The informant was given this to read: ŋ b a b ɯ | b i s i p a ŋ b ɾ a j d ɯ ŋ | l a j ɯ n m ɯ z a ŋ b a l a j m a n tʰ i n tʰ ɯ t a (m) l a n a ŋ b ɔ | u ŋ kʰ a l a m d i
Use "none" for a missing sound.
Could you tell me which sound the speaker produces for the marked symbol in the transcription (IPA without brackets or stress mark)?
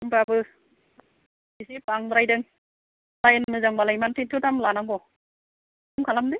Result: m